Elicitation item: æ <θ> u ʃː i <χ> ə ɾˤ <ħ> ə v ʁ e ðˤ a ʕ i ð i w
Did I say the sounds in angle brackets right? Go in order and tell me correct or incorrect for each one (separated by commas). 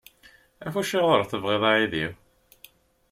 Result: incorrect, incorrect, incorrect